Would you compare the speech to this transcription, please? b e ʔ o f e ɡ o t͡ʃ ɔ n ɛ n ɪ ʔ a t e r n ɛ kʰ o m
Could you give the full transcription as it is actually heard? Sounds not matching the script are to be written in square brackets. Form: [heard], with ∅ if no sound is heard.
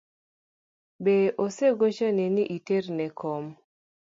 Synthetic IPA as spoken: b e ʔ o [s] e ɡ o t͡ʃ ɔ n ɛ n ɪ ʔ [i] t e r n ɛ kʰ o m